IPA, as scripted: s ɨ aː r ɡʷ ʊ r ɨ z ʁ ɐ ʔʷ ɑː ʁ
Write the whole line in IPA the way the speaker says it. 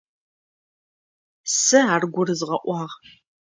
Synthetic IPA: s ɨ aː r ɡʷ ʊ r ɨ z ʁ ɐ ʔʷ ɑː ʁ